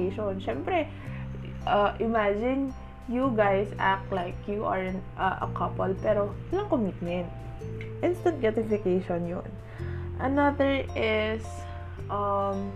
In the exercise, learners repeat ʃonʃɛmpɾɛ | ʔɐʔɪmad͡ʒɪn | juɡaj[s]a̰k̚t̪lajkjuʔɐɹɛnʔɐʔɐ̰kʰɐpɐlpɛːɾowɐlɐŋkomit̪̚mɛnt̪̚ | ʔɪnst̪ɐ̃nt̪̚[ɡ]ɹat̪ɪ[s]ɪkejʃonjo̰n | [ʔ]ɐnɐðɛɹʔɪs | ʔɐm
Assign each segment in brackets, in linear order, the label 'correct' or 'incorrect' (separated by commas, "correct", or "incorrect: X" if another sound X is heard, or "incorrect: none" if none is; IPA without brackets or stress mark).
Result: correct, correct, incorrect: f, correct